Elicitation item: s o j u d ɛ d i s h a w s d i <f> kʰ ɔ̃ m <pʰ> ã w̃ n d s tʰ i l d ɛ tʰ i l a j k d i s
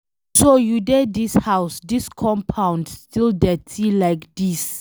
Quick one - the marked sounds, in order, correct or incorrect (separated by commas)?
incorrect, correct